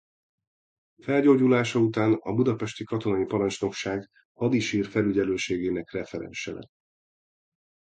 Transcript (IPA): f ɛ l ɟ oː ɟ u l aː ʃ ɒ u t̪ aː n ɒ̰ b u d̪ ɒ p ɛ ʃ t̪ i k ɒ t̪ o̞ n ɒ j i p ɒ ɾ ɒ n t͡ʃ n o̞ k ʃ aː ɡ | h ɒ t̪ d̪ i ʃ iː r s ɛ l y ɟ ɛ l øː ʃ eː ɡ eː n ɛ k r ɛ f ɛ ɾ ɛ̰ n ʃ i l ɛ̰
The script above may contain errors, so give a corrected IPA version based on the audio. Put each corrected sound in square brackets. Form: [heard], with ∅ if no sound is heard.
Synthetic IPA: f ɛ l ɟ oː ɟ u l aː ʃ ɒ u t̪ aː n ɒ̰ b u d̪ ɒ p ɛ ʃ t̪ i k ɒ t̪ o̞ n ɒ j i p ɒ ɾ ɒ n t͡ʃ n o̞ k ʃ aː ɡ | h ɒ [∅] d̪ i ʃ iː r [f] ɛ l y ɟ ɛ l øː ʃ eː ɡ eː n ɛ k r ɛ f ɛ ɾ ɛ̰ n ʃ [ɛ] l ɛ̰

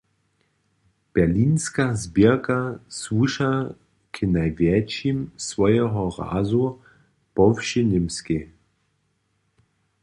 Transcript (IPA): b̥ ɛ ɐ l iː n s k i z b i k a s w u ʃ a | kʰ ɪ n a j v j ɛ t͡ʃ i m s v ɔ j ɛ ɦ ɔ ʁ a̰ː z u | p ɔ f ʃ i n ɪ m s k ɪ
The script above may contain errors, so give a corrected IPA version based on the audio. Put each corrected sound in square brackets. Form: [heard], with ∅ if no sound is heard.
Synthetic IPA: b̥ ɛ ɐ l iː n s k [a] z b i k a s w u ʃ a | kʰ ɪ n a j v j ɛ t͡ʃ i m s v ɔ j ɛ ɦ ɔ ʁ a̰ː z u | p ɔ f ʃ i n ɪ m s k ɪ

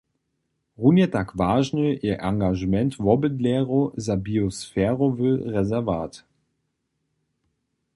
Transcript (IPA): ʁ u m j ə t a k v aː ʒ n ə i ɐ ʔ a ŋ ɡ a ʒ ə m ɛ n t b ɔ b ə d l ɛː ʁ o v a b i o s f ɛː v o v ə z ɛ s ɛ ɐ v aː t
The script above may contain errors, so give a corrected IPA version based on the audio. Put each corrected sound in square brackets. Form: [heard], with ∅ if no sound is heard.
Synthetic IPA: ʁ u [n] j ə t a k v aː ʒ n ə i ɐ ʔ a ŋ ɡ a ʒ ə m ɛ n t [v] ɔ b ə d l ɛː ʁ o [z] a b i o s f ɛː [ʁ] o v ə [ʁ] ɛ [z] ɛ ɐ v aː t

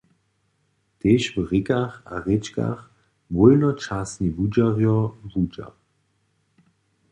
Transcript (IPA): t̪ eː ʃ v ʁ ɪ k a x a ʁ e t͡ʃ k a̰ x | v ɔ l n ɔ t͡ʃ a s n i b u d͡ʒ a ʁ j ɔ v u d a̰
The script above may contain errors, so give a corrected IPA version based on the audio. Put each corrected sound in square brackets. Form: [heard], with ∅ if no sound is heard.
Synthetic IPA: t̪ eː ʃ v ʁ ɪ k a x a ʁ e t͡ʃ k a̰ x | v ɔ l n ɔ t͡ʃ a s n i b u d͡ʒ a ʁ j ɔ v u [d͡ʒ] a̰

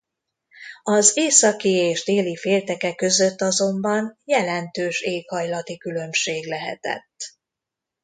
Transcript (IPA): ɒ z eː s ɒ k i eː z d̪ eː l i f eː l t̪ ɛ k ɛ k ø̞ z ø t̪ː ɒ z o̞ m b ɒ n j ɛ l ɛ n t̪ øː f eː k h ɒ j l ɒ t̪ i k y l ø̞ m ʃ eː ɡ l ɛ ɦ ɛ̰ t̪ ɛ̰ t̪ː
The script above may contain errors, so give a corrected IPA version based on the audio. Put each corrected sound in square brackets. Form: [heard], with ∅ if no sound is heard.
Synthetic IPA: ɒ z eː s ɒ k i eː [ʒ] d̪ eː l i f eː l t̪ ɛ k ɛ k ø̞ z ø t̪ː ɒ z o̞ m b ɒ n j ɛ l ɛ n t̪ øː [ʃ] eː k h ɒ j l ɒ t̪ i k y l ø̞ m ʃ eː ɡ l ɛ ɦ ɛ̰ t̪ ɛ̰ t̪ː

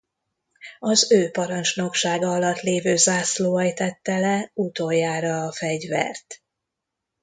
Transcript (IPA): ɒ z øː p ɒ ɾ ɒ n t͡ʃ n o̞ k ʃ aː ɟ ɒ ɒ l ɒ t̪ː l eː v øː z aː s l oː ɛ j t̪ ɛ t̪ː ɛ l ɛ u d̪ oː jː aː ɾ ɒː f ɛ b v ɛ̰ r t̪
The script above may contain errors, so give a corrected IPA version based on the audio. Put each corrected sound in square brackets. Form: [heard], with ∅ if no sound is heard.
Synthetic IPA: ɒ z øː p ɒ ɾ ɒ n t͡ʃ n o̞ k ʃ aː [ɡ] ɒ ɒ l ɒ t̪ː l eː v øː z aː s l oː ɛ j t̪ ɛ t̪ː ɛ l ɛ u [t̪] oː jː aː ɾ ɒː f ɛ [ɟ] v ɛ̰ r t̪

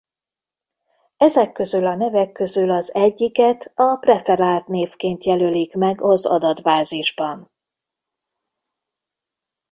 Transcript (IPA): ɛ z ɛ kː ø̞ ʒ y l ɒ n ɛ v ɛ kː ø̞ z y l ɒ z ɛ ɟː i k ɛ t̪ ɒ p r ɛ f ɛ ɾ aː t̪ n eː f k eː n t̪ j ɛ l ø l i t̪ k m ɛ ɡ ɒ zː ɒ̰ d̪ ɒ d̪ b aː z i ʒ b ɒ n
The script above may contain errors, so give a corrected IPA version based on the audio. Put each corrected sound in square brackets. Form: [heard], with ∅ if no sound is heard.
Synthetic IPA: ɛ z ɛ kː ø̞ [z] y l ɒ n ɛ v ɛ kː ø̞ z y l ɒ z ɛ ɟː i k ɛ t̪ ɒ p r ɛ f ɛ ɾ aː t̪ n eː f k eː n t̪ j ɛ l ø l i [∅] k m ɛ ɡ ɒ [z] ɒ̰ d̪ ɒ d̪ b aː z i ʒ b ɒ n

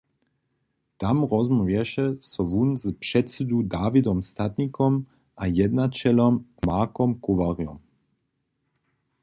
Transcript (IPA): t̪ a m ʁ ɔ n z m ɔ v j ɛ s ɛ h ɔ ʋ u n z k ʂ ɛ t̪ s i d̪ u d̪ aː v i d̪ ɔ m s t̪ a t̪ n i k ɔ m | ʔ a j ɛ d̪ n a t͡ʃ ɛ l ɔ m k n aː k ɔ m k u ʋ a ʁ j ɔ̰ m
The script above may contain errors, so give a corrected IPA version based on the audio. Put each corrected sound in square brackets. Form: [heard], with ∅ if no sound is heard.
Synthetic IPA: t̪ a m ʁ ɔ [∅] z m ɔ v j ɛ [ʃ] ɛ [s] ɔ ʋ u n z [p] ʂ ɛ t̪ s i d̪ u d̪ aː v i d̪ ɔ m s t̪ a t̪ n i k ɔ m | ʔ a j ɛ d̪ n a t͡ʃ ɛ l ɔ m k [m] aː k ɔ m k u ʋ a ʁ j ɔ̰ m

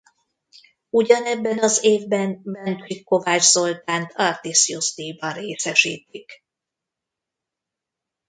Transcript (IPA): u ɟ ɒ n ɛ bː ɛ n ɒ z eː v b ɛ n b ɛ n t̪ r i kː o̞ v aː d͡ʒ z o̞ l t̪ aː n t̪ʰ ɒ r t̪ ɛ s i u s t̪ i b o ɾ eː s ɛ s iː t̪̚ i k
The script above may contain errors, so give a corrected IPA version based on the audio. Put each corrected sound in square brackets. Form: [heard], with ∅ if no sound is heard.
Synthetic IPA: u ɟ ɒ n ɛ bː ɛ n ɒ z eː v b ɛ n b ɛ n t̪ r i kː o̞ v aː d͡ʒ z o̞ l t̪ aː n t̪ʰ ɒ r t̪ [i] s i u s t̪ i b [ɒ] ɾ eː s ɛ [ʃ] iː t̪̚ i k

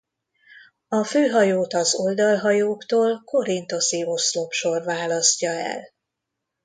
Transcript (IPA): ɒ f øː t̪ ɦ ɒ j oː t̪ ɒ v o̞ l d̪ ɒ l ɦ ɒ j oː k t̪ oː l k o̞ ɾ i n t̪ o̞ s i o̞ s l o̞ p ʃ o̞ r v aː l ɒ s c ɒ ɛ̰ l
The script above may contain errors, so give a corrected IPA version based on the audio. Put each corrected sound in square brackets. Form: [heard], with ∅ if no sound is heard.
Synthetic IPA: ɒ f øː [∅] ɦ ɒ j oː t̪ ɒ [z] o̞ l d̪ ɒ l ɦ ɒ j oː k t̪ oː l k o̞ ɾ i n t̪ o̞ s i o̞ s l o̞ p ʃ o̞ r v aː l ɒ s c ɒ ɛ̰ l

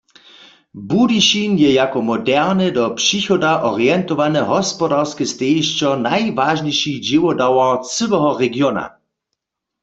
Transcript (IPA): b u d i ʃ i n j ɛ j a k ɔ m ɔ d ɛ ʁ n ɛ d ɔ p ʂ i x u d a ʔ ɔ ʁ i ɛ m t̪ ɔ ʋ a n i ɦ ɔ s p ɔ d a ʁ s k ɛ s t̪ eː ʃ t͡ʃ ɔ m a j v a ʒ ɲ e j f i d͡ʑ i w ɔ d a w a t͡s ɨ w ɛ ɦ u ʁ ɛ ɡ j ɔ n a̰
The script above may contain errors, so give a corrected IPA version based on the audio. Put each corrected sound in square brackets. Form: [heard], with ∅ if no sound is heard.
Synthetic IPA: b u d i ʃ i n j ɛ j a k ɔ m ɔ d ɛ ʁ n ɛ d ɔ p ʂ i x [ɔ] d a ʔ ɔ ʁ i ɛ [n] t̪ ɔ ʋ a n [ɛ] ɦ ɔ s p ɔ d a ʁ s k ɛ s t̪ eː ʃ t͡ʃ ɔ [n] a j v a ʒ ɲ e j [ʃ] i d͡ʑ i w ɔ d a w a t͡s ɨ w ɛ ɦ [ɔ] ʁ ɛ ɡ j ɔ n a̰

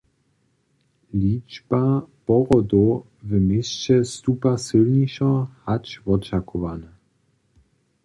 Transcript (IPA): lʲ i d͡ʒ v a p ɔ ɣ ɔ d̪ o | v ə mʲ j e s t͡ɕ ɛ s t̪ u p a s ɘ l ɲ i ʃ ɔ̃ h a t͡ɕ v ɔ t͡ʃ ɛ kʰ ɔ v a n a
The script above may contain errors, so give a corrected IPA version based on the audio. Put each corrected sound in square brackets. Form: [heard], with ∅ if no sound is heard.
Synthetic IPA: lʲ i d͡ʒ [b] a p ɔ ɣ ɔ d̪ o | v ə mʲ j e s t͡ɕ ɛ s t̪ u p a s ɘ l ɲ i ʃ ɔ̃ h a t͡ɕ v ɔ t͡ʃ [a] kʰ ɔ v a n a

